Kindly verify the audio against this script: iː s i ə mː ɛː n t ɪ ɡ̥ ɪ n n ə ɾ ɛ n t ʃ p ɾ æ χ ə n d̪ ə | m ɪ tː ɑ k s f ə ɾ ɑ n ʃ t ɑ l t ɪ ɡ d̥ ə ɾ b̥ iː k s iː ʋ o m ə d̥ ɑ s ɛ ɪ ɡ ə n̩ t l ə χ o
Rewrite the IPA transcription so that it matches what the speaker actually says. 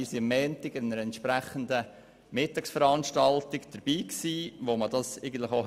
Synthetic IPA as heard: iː s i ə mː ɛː n t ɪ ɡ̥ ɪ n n ə ɾ ɛ n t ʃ p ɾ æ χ ə n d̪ ə | m ɪ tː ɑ k s f ə ɾ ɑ n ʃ t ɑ l t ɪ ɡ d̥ ə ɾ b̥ iː k s iː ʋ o m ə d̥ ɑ s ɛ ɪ ɡ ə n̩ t l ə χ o